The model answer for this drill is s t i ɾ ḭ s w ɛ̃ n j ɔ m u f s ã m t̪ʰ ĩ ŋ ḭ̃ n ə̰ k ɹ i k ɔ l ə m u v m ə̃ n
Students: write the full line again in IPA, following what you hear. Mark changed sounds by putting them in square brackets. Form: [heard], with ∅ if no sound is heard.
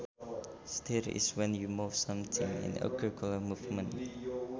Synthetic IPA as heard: s t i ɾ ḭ s w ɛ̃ n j [u] m u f s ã m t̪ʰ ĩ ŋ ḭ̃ n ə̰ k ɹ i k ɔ l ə m u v m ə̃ n